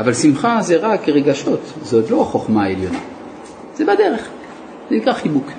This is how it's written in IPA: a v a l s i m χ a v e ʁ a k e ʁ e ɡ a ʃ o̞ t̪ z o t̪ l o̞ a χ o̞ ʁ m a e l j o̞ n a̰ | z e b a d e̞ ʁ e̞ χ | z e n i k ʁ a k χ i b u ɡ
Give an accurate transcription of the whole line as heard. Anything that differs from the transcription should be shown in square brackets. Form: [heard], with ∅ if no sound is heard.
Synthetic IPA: a v a l s i m χ a [z] e ʁ a k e ʁ e ɡ a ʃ o̞ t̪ z o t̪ l o̞ a χ o̞ [χ] m a e l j o̞ n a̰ | z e b a d e̞ ʁ e̞ χ | z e n i k ʁ a [∅] χ i b u [k]